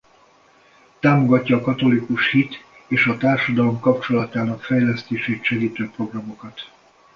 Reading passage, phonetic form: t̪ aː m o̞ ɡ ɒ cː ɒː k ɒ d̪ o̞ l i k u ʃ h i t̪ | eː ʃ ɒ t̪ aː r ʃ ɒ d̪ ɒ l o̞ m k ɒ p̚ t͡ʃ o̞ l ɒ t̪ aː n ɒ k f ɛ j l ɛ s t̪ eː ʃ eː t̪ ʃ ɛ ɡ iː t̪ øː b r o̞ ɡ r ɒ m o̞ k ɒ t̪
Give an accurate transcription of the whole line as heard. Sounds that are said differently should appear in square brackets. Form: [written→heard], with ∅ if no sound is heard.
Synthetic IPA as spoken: t̪ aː m o̞ ɡ ɒ cː ɒː k ɒ [d̪→t̪] o̞ l i k u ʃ h i t̪ | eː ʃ ɒ t̪ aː r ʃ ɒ d̪ ɒ l o̞ m k ɒ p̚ t͡ʃ o̞ l ɒ t̪ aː n ɒ k f ɛ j l ɛ s t̪ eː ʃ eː t̪ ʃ ɛ ɡ iː t̪ øː [b→p] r o̞ ɡ r ɒ m o̞ k ɒ t̪